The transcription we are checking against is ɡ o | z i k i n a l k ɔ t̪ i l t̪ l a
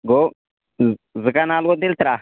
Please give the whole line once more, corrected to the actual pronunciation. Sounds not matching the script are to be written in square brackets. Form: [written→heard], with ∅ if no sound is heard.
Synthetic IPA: ɡ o | z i k [i→a] n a l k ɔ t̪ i l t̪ [l→ɾ] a